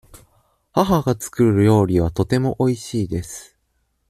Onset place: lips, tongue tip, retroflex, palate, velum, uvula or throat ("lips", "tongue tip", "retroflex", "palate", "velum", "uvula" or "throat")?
throat